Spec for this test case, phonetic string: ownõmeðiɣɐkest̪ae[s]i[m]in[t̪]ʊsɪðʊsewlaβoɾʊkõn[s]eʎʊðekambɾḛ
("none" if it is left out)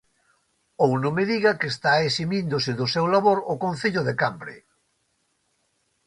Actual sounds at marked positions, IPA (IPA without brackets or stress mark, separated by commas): s, m, d̪, θ